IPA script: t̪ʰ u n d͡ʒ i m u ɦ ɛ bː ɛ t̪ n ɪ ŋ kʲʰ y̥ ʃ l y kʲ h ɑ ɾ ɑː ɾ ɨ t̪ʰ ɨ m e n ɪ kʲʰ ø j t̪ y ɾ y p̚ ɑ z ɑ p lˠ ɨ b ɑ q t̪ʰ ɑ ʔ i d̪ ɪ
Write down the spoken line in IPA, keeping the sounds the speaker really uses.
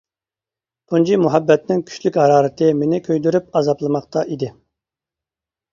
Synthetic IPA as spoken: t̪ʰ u n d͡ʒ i m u ɦ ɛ bː ɛ t̪ n ɪ ŋ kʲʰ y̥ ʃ l y kʲ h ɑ ɾ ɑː ɾ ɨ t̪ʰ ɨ m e n ɪ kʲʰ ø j d̪ y ɾ y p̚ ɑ z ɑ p lˠ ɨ m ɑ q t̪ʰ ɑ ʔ i d̪ ɪ

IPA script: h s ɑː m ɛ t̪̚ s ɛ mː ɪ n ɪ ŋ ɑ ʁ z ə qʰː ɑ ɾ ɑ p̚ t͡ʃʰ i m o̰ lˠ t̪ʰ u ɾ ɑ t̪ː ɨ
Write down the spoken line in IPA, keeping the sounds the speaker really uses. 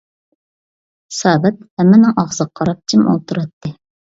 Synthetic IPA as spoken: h s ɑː b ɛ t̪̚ h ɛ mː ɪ n ɪ ŋ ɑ ʁ z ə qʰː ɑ ɾ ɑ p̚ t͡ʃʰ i m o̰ lˠ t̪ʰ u ɾ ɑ t̪ː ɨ

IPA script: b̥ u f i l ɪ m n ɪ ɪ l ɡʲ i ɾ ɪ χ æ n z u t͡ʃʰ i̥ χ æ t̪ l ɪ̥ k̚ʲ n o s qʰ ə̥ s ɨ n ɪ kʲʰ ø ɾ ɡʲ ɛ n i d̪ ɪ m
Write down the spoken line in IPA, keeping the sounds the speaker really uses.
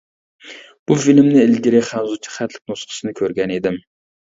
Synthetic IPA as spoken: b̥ u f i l ɪ m n ɪ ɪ l ɡʲ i ɾ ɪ χ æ n z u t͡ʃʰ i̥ χ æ t̪ l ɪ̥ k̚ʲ n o s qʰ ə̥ s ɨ n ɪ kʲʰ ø ɾ ɡʲ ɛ n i d̪ ɪ m

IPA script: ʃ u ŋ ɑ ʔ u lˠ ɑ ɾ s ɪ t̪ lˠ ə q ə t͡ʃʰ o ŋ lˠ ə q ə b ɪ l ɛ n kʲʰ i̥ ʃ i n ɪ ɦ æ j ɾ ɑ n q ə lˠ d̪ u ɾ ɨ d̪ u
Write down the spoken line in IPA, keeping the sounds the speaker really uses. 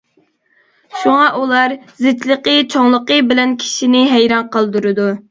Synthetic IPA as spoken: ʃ u ŋ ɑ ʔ u lˠ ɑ ɾ z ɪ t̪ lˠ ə q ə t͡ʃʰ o ŋ lˠ ə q ə b ɪ l ɛ n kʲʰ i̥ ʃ i n ɪ ɦ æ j ɾ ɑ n q ə lˠ d̪ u ɾ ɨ d̪ u

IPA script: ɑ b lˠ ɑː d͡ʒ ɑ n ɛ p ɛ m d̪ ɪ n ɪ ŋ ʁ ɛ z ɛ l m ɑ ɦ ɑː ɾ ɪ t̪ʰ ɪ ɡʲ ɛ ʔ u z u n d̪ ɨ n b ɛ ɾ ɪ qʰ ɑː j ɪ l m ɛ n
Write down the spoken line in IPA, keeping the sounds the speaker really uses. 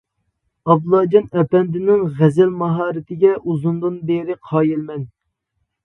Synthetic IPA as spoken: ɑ b lˠ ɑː d͡ʒ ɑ n ɛ p ɛ n d̪ ɪ n ɪ ŋ ʁ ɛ z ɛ l m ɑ ɦ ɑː ɾ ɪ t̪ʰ ɪ ɡʲ ɛ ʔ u z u n d̪ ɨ n b e ɾ ɪ qʰ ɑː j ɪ l m ɛ n

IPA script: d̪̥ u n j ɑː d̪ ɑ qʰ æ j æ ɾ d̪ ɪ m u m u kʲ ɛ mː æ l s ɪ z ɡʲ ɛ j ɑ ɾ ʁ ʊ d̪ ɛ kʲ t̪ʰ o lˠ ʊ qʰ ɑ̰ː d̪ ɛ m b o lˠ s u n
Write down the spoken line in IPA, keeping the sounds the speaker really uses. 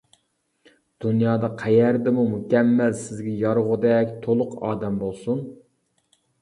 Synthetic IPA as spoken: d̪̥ u n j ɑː d̪ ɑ qʰ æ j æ ɾ d̪ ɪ m u m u kʲ ɛ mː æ l s ɪ z ɡʲ ɛ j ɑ ɾ ʁ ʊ d̪ ɛ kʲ t̪ʰ o lˠ ʊ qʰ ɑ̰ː d̪ ɛ m b o lˠ s u n

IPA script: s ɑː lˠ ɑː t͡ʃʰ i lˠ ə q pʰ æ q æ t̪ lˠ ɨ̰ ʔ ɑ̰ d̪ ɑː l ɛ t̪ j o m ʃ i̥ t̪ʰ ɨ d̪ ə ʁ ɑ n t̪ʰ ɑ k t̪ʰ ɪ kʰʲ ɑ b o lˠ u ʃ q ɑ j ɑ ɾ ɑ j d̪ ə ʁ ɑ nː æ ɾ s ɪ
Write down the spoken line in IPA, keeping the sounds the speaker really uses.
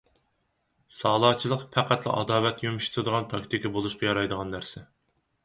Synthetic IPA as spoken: s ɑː lˠ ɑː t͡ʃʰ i lˠ ə q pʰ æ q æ t̪ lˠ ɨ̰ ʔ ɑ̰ d̪ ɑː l ɛ t̪ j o m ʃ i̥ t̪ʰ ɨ d̪ ə ʁ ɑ n t̪ʰ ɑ k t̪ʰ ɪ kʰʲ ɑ b o lˠ u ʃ q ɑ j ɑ ɾ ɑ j d̪ ə ʁ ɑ nː æ ɾ s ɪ

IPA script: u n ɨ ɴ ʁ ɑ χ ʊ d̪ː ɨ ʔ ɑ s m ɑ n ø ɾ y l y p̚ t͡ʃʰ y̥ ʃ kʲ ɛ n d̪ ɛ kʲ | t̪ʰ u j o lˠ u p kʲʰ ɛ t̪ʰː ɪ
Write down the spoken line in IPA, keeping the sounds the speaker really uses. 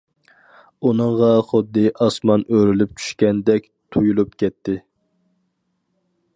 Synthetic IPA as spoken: u n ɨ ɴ ʁ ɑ χ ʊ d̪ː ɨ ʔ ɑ s m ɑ n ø ɾ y l y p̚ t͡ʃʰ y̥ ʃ kʲ ɛ n d̪ ɛ kʲ | t̪ʰ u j u lˠ u p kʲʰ ɛ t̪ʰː ɪ

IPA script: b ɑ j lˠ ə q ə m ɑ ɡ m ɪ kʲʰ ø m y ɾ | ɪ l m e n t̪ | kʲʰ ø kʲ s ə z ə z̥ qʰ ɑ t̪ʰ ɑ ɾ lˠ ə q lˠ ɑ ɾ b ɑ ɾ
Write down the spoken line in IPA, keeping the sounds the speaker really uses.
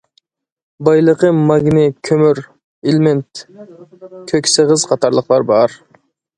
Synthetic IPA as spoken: b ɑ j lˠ ə q ə m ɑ ɡ n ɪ kʲʰ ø m y ɾ | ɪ l m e n t̪ | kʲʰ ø kʲ s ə ʁ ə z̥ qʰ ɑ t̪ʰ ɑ ɾ lˠ ə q lˠ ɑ ɾ b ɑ ɾ

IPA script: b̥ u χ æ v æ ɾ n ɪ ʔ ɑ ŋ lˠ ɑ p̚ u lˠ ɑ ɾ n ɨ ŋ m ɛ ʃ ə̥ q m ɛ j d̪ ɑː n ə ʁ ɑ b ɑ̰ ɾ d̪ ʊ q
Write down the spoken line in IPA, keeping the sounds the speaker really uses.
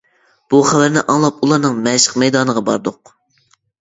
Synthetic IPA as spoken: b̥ u χ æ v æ ɾ n ɪ ʔ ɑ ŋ lˠ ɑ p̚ u lˠ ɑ ɾ n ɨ ŋ m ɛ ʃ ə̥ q m ɛ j d̪ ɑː n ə ʁ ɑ b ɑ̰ ɾ d̪ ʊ q

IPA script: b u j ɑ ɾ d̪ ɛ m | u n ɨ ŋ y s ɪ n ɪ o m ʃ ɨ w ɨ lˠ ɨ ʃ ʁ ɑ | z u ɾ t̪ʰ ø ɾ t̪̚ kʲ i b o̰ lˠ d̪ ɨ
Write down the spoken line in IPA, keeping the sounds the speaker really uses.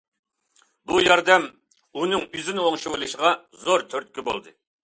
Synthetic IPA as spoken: b u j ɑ ɾ d̪ ɛ m | u n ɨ ŋ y z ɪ n ɪ o ŋ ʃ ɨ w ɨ lˠ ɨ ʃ ʁ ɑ | z o ɾ t̪ʰ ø ɾ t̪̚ kʲ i b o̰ lˠ d̪ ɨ

